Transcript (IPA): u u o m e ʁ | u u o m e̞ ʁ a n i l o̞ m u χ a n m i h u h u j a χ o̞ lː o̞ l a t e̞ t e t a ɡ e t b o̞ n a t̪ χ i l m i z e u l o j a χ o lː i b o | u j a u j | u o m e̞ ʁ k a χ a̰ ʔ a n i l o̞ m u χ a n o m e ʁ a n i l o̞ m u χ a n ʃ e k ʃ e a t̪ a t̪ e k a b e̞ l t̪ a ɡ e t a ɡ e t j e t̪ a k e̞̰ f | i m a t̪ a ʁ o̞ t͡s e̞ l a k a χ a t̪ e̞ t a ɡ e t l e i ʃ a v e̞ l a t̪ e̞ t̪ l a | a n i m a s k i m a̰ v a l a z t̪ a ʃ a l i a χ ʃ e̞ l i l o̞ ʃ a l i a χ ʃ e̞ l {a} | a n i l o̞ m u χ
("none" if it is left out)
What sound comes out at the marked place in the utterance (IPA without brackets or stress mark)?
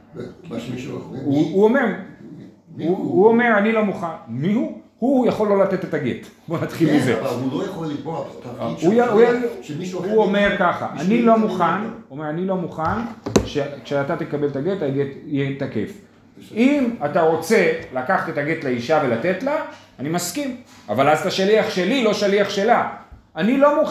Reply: a